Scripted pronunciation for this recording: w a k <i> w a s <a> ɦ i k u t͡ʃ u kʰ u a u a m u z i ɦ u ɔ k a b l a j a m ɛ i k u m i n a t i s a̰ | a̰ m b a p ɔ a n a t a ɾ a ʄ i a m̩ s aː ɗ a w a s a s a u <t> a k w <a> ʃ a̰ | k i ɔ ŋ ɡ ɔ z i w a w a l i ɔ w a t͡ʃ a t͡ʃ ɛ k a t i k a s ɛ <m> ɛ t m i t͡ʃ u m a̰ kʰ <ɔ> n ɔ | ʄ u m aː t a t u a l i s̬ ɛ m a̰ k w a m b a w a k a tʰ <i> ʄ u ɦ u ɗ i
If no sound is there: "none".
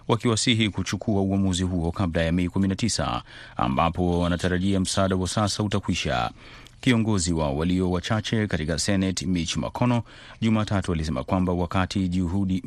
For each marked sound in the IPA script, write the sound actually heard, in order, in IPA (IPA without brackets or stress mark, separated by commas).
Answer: i, i, t, i, n, ɔ, i